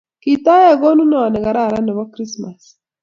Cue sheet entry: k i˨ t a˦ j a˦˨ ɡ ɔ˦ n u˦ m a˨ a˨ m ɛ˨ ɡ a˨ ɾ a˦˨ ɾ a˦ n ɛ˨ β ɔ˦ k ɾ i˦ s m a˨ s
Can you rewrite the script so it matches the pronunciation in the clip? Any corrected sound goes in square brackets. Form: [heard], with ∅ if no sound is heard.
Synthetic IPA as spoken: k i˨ t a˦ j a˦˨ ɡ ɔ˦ n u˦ [n] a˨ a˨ [n] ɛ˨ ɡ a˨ ɾ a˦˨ ɾ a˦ n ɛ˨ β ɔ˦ k ɾ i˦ s m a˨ s

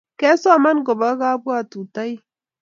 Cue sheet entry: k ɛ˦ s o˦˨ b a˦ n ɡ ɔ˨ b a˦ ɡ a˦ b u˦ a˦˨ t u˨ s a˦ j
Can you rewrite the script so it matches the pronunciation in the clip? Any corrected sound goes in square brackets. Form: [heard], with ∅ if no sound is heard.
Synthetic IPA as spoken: k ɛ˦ s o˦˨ [m] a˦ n ɡ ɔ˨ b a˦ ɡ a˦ b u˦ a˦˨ t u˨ [t] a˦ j

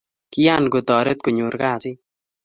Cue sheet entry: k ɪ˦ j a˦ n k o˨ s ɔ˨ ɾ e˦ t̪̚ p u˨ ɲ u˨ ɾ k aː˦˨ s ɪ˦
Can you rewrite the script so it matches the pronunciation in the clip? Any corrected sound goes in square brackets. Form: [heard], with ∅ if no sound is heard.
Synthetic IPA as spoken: k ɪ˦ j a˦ n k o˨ [t] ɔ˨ ɾ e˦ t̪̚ [k] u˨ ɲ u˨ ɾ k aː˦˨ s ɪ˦

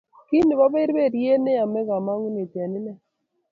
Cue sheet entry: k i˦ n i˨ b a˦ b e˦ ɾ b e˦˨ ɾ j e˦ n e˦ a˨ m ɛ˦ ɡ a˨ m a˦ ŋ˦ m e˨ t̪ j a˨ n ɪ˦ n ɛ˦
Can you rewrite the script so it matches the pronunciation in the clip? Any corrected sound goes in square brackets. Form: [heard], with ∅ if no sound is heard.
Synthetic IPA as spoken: k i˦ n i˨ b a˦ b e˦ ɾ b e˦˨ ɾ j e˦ n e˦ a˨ m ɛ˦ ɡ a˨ m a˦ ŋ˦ [n] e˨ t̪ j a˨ n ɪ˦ n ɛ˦

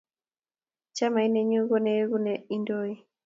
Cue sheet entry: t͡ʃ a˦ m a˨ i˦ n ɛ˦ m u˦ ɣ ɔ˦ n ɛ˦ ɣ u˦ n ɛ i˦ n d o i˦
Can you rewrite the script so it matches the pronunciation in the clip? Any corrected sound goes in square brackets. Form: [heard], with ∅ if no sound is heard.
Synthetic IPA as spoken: t͡ʃ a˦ m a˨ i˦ n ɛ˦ [ɲ] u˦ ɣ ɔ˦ n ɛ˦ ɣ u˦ n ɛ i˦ n d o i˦

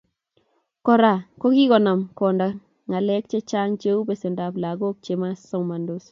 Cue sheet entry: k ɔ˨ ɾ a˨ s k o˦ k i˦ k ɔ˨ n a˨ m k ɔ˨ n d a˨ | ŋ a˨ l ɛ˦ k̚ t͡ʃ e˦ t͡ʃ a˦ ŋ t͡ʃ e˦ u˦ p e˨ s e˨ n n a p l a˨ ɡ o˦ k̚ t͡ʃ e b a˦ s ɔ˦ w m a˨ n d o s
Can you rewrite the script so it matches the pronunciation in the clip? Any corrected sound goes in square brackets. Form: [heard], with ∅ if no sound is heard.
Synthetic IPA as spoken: k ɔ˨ ɾ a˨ [∅] k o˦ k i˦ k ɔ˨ n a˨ m k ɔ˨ n d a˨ | ŋ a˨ l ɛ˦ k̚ t͡ʃ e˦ t͡ʃ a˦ ŋ t͡ʃ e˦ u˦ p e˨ s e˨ n [d] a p l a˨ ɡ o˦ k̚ t͡ʃ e [m] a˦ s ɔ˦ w m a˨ n d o s

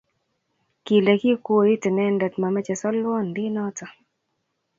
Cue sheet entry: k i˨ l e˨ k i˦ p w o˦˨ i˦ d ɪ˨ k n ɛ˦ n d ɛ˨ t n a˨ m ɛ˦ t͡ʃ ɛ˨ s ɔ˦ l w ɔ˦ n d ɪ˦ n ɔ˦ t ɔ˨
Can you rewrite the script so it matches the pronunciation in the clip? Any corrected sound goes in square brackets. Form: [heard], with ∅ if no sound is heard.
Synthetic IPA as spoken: k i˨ l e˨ k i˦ [k] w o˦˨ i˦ [t] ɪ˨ [∅] n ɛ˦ n d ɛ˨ t [m] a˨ m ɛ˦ t͡ʃ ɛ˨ s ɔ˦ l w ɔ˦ n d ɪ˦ n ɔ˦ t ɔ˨

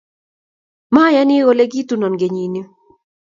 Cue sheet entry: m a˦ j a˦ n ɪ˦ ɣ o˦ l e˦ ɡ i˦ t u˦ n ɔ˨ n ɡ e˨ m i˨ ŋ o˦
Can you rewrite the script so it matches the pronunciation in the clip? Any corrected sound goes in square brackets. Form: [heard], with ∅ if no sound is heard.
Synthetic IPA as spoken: m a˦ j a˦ n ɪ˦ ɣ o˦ l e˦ ɡ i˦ t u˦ n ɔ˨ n ɡ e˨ [ɲ] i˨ [n] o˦

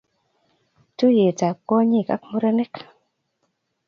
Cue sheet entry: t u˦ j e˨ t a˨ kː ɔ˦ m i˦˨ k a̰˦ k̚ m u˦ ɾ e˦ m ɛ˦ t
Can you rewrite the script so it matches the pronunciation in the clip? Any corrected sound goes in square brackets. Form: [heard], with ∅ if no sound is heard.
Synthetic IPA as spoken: t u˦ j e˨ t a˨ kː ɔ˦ [ɲ] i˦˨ k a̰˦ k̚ m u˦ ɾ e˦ [n] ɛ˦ [k]

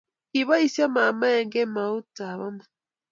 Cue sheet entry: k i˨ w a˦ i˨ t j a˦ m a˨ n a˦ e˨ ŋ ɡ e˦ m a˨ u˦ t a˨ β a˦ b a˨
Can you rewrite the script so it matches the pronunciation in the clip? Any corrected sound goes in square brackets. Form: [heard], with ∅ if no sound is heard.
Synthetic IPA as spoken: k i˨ [β] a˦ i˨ [s] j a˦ m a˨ [m] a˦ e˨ ŋ ɡ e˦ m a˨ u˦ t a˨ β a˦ [m] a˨

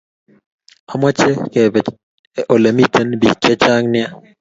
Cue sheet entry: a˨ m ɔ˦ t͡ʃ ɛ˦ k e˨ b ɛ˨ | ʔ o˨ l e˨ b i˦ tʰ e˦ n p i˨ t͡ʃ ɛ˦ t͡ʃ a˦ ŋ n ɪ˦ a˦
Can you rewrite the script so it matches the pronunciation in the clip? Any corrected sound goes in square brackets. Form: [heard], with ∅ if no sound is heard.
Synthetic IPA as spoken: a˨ m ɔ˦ t͡ʃ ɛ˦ k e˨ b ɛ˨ | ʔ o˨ l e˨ [m] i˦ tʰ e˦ n [b] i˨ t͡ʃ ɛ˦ t͡ʃ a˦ ŋ n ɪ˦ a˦

